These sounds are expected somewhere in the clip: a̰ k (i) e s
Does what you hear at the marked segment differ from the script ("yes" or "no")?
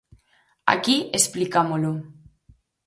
no